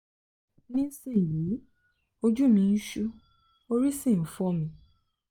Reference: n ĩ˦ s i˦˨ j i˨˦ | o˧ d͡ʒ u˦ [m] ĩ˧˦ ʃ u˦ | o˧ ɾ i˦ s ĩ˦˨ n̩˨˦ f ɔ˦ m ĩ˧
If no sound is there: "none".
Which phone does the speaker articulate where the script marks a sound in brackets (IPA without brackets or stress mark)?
m